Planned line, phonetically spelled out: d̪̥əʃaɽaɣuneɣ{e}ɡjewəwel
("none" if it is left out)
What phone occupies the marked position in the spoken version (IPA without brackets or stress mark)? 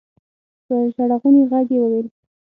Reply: a